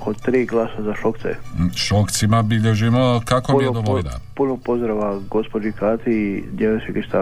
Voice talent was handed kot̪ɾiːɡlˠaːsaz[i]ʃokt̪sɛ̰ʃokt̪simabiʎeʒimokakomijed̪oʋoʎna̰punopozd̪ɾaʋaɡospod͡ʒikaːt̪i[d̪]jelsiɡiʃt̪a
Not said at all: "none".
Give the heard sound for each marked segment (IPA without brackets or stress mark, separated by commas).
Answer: a, d̪